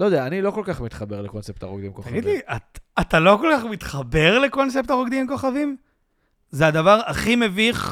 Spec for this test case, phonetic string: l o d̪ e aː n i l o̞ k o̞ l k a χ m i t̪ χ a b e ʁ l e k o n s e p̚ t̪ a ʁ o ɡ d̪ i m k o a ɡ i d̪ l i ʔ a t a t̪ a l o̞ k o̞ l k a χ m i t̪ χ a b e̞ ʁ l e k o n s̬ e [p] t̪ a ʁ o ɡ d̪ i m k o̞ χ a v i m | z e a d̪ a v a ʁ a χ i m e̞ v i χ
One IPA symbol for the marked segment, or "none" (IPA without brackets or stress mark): p